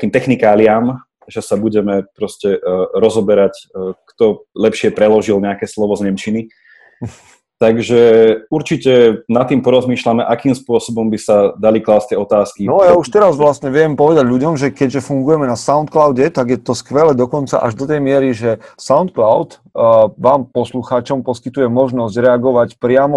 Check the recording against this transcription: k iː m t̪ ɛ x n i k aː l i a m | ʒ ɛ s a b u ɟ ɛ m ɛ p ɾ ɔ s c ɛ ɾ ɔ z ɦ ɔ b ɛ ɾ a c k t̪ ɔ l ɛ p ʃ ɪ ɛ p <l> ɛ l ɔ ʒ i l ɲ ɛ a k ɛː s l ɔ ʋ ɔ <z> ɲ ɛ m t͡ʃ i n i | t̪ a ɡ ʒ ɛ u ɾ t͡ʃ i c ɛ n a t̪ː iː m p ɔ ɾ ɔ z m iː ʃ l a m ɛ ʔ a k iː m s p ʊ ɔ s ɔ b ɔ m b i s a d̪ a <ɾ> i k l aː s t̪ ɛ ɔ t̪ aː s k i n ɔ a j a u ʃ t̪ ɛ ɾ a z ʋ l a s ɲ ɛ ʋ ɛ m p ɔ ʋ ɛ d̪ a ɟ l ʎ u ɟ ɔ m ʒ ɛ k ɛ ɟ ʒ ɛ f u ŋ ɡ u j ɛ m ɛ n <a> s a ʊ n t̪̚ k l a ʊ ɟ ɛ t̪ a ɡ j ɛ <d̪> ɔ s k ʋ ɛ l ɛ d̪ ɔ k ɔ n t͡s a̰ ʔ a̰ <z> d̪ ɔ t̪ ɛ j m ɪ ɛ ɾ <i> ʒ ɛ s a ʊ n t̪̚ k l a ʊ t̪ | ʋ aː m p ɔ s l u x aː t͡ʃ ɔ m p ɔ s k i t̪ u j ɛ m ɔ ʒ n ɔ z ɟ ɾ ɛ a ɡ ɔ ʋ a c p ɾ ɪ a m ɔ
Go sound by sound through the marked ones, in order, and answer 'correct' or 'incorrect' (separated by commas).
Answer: incorrect, correct, incorrect, correct, incorrect, incorrect, correct